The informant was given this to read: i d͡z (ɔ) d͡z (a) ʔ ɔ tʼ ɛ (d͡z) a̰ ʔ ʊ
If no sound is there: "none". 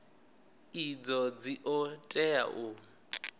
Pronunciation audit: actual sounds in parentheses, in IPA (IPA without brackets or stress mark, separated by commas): ɔ, i, none